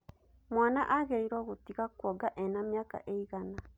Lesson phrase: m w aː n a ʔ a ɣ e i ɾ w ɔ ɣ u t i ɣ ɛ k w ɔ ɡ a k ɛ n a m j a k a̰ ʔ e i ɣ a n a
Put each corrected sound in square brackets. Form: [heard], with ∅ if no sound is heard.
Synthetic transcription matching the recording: m w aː n a ʔ a ɣ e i ɾ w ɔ ɣ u t i ɣ [a] k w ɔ ɡ a [ʔ] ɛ n a m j a k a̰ ʔ e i ɣ a n a